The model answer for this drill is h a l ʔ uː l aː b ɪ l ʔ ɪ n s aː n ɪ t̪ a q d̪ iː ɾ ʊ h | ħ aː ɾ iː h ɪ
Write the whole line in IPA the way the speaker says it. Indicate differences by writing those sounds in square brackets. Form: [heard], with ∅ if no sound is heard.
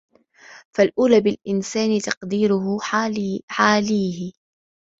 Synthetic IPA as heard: [f] a l ʔ uː l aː b ɪ l ʔ ɪ n s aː n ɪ t̪ [ɑ] q d̪ iː ɾ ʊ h | ħ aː [l] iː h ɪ